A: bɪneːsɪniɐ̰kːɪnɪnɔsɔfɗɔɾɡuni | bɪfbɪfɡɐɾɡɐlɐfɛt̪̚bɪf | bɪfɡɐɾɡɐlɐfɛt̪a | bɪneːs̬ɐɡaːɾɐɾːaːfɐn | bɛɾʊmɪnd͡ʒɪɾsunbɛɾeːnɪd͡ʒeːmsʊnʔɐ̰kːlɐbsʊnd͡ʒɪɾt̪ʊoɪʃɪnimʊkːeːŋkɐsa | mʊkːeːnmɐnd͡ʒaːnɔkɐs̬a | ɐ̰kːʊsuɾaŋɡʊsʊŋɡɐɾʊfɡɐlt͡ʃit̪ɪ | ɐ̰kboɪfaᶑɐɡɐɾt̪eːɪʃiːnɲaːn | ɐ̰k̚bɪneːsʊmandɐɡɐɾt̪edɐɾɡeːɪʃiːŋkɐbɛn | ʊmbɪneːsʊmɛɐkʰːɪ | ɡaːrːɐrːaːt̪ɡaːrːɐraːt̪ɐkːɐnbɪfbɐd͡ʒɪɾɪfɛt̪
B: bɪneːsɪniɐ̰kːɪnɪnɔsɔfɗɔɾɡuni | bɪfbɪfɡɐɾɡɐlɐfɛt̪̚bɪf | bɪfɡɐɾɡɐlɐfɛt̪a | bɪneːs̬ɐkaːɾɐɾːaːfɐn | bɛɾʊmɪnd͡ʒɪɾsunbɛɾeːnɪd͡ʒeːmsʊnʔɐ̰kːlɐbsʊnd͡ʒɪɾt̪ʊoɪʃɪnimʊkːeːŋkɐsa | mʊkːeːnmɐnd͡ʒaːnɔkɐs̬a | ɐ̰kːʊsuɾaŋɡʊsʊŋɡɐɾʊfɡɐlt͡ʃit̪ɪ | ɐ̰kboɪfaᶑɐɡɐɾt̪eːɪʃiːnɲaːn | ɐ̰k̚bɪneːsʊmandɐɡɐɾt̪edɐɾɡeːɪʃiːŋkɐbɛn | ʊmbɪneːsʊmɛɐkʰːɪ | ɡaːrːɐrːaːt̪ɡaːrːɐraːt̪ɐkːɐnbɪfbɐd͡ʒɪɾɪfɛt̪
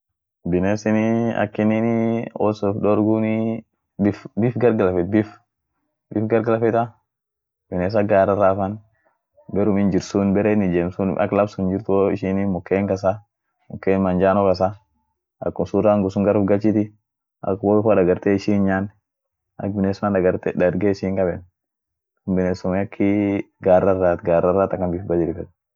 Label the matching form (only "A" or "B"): A